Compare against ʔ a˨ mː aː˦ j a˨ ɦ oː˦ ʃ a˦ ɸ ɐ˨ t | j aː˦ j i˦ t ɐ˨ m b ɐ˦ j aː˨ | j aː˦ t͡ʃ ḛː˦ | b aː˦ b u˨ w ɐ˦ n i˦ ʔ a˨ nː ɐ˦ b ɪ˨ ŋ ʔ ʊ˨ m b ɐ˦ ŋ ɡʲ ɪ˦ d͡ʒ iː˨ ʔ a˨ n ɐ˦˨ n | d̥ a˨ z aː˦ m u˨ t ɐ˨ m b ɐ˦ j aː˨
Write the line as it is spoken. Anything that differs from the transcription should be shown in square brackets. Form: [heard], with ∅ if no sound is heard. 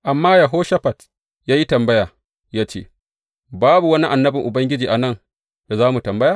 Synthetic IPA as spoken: ʔ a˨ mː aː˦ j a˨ ɦ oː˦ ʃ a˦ ɸ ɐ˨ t | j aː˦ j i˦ t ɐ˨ m b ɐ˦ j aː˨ | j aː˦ t͡ʃ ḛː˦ | b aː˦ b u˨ w ɐ˦ n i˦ ʔ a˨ nː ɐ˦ b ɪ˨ ŋ ʔ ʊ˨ [∅] b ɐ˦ ŋ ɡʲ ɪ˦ d͡ʒ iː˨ ʔ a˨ n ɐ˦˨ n | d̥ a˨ z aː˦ m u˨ t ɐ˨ m b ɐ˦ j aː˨